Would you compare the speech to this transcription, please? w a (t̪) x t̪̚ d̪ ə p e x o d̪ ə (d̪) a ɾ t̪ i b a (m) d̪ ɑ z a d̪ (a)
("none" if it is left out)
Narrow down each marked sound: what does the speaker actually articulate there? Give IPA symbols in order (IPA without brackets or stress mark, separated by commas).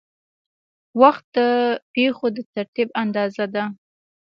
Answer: none, t̪, n, a